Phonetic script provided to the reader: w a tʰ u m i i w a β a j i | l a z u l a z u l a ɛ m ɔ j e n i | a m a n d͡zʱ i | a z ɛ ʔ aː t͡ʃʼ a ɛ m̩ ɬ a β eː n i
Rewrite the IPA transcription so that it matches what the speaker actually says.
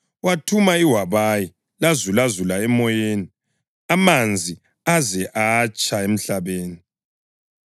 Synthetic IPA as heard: w a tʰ u m a i w a β a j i | l a z u l a z u l a ɛ m ɔ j e n i | a m a n d͡zʱ i | a z ɛ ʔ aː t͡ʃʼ a e m̩ ɬ a β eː n i